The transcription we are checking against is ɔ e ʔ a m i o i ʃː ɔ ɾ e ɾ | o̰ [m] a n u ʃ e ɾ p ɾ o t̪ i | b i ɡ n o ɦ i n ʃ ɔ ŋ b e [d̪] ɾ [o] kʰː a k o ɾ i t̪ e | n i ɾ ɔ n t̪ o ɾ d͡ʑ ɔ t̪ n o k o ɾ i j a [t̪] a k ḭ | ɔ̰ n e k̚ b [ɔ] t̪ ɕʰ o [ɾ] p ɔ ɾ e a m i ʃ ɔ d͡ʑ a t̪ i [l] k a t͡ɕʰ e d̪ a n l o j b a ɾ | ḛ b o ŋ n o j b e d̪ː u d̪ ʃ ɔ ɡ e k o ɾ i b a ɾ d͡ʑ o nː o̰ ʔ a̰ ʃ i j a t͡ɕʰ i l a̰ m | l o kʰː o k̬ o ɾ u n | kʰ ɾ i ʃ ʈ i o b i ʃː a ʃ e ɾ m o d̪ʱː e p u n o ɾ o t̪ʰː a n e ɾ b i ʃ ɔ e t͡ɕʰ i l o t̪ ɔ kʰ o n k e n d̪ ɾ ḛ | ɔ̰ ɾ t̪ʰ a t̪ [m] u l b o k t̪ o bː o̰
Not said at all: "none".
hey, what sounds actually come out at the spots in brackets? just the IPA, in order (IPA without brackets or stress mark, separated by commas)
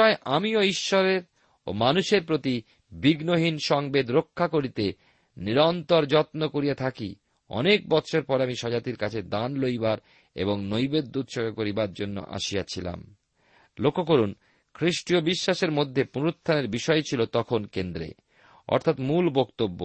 m, d̪, o, t̪ʰ, ɔ, ɾ, ɾ, m